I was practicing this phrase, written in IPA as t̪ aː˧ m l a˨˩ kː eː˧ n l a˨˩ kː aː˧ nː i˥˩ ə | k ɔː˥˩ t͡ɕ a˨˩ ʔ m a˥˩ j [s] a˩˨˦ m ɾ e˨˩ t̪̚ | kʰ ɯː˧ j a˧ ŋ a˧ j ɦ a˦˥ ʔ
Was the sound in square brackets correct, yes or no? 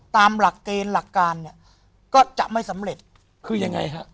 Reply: yes